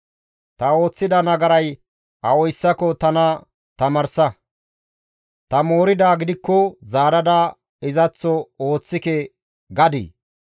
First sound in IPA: t̪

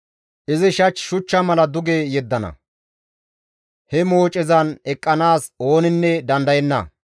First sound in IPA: ʔ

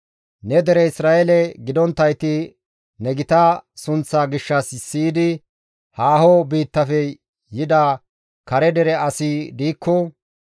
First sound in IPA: n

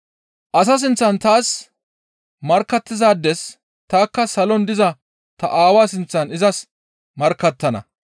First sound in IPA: ʔ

